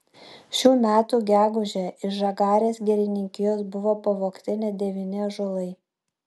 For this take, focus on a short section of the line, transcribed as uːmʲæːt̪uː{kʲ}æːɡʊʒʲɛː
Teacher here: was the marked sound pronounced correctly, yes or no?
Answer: no